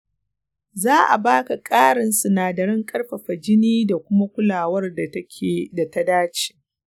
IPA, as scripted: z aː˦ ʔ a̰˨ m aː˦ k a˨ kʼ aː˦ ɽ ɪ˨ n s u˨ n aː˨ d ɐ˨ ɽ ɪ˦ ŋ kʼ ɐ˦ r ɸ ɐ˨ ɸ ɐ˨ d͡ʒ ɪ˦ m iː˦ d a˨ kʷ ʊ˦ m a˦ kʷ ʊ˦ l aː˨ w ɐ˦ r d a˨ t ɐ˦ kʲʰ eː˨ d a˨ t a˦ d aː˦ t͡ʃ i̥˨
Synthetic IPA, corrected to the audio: z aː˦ ʔ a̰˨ b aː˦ k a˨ kʼ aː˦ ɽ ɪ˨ n s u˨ n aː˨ d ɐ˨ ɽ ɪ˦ ŋ kʼ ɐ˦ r ɸ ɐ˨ ɸ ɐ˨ d͡ʒ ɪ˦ n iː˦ d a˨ kʷ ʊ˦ m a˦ kʷ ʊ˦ l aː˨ w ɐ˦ r d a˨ t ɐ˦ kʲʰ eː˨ d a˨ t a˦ d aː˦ t͡ʃ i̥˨